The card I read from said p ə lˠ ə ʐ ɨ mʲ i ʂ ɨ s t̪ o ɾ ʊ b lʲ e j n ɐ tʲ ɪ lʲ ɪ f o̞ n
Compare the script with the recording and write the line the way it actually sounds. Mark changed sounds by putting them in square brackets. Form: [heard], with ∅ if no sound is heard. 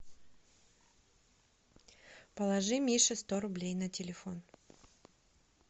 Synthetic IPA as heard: p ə lˠ [ɐ] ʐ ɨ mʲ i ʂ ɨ s t̪ o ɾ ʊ b lʲ e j n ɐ tʲ ɪ lʲ ɪ f o̞ n